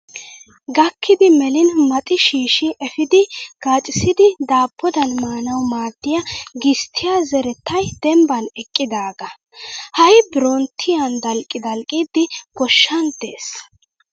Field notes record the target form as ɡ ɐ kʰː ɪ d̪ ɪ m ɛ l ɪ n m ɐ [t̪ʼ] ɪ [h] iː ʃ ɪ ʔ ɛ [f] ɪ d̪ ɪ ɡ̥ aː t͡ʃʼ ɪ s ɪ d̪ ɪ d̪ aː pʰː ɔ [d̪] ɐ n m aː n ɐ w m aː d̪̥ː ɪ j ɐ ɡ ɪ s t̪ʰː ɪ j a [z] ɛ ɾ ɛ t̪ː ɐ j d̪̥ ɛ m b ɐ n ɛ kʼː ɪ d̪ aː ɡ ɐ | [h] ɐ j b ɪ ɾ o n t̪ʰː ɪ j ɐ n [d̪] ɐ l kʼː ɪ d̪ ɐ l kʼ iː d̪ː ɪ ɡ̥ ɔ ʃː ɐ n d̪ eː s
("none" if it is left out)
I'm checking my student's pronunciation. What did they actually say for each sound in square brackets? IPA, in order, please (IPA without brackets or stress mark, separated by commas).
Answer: t̪ʼ, ʃ, f, d̪, z, h, d̪